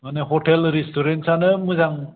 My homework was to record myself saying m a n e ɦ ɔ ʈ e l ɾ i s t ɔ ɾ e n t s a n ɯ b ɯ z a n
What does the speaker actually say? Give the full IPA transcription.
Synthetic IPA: m a n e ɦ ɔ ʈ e l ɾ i s t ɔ ɾ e n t s a n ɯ m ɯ z a ŋ

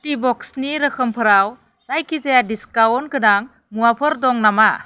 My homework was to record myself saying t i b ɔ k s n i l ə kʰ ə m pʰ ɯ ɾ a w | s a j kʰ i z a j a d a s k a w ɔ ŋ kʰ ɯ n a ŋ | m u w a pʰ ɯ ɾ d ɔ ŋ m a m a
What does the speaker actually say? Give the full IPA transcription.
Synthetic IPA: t i b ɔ k s n i ɾ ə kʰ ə m pʰ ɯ ɾ a w | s a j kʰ i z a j a d i s k a w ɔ n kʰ ɯ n a ŋ | m u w a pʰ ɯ ɾ d ɔ ŋ n a m a

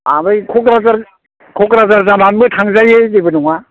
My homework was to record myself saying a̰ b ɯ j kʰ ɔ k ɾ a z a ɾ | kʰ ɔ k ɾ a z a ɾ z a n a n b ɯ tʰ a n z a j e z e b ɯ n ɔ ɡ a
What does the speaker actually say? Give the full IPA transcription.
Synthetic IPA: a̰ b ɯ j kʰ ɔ k ɾ a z a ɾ | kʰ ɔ k ɾ a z a ɾ z a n a n b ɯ tʰ a ŋ z a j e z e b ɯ n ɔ ŋ a

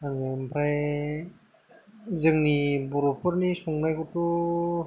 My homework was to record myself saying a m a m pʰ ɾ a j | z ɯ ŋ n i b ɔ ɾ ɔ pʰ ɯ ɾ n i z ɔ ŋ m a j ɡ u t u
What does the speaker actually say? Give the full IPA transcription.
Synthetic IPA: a ŋ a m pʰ ɾ a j | z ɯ ŋ n i b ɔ ɾ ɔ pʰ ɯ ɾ n i s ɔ ŋ n a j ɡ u t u

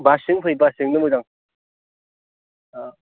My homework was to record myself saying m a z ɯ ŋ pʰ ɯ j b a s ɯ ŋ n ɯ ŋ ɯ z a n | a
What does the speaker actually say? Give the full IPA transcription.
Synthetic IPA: b a s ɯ ŋ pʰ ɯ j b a s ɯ ŋ n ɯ m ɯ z a ŋ | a

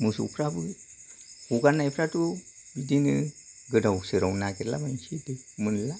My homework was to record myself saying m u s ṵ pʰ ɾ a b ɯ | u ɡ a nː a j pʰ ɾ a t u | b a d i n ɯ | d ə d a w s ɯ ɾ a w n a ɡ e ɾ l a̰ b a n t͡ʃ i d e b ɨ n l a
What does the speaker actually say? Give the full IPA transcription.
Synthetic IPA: m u s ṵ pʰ ɾ a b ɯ | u ɡ a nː a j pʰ ɾ a t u | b i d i n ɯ | ɡ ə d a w s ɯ ɾ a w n a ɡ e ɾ l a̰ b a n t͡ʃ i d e m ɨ n l a

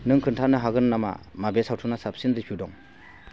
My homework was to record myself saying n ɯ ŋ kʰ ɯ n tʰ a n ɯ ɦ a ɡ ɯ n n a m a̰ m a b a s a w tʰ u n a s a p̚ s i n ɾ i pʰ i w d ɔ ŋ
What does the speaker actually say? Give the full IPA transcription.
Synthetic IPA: n ɯ ŋ kʰ ɯ n tʰ a n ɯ ɦ a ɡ ɯ n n a m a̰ m a b e s a w tʰ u n a s a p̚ s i n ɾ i pʰ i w d ɔ ŋ

